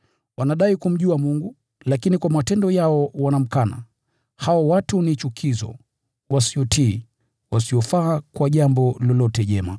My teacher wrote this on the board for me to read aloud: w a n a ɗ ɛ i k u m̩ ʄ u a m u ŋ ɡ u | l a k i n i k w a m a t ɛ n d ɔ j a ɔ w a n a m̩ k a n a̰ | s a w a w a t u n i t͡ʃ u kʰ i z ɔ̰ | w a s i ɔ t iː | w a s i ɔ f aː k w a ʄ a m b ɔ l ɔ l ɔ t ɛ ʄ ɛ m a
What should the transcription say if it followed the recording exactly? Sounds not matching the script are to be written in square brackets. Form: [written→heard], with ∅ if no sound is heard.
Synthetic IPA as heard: w a n a ɗ [ɛ→a] i k u m̩ ʄ u a m u ŋ ɡ u | l a k i n i k w a m a t ɛ n d ɔ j a ɔ w a n a m̩ k a n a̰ | [s→h] a w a w a t u n i t͡ʃ u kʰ i z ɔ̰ | w a s i ɔ t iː | w a s i ɔ f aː k w a ʄ a m b ɔ l ɔ l ɔ t ɛ ʄ ɛ m a